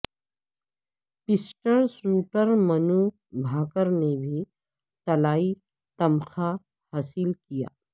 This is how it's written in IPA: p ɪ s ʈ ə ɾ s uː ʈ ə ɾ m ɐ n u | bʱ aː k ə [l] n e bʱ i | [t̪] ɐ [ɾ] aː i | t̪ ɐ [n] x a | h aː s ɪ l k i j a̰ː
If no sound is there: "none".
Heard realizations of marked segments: ɾ, t̪, l, m

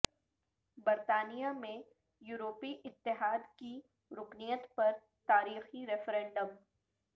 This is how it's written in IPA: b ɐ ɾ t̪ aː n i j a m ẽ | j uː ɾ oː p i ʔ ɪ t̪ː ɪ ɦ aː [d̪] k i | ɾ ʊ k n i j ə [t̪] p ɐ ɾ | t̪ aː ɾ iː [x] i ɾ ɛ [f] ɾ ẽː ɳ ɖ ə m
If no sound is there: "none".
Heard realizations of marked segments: d̪, t̪, x, f

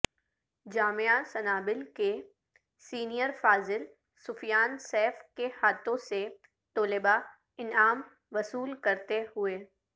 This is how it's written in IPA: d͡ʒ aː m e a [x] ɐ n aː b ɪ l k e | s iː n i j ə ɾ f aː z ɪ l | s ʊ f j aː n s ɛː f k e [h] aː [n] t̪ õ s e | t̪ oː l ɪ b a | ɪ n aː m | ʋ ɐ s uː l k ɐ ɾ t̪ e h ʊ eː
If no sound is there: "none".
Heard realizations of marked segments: s, h, none

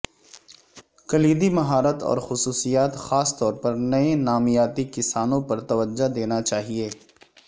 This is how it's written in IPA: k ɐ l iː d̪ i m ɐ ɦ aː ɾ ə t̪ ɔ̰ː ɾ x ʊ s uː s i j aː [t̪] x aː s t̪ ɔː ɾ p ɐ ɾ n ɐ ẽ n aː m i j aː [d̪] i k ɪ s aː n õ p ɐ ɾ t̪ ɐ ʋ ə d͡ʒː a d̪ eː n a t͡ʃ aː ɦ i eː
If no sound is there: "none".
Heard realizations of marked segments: t̪, t̪

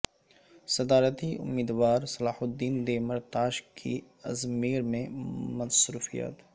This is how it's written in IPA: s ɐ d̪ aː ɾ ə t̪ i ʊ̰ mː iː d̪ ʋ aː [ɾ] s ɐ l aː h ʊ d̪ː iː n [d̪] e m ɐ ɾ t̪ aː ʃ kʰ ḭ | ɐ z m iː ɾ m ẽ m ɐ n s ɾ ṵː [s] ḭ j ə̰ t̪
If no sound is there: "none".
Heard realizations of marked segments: ɾ, d̪, f

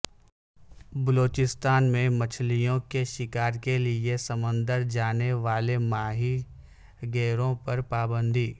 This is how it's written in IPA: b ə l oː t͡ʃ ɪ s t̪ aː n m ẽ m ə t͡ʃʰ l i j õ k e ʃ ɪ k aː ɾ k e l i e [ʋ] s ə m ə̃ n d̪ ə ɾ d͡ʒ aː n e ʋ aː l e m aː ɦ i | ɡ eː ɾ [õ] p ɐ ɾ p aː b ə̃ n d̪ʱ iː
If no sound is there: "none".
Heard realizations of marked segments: none, õ

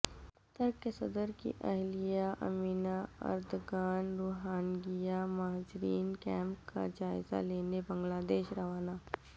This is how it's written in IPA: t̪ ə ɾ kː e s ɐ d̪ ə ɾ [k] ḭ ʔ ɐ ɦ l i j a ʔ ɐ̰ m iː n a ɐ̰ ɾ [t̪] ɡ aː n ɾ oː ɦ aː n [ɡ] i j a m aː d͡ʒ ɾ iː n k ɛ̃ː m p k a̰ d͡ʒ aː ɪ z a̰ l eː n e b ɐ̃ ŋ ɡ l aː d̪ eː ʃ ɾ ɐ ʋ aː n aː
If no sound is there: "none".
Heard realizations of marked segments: k, d̪, ɡ

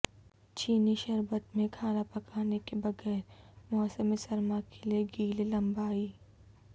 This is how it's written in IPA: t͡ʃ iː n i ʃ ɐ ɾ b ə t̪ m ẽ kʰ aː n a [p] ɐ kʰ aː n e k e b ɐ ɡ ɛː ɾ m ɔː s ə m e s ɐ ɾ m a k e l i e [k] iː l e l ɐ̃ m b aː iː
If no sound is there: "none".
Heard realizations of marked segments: p, ɡ

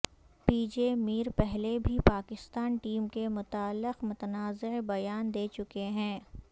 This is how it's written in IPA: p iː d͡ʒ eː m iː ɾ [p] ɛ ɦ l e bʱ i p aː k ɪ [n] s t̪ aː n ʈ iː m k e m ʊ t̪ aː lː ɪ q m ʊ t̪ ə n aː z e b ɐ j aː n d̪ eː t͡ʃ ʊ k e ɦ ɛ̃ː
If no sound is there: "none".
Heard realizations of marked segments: p, none

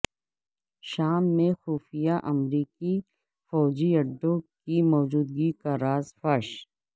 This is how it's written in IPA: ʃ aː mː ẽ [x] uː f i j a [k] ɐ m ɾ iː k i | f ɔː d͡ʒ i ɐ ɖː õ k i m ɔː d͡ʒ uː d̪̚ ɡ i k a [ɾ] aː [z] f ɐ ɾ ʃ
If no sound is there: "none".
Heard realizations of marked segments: x, ʔ, ɾ, z

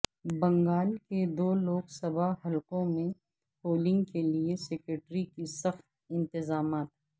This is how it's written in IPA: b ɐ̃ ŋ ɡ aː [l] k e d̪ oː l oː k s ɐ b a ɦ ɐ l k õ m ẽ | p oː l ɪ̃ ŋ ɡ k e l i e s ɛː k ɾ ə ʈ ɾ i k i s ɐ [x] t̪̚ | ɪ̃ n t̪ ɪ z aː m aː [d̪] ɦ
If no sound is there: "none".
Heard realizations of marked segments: l, x, t̪

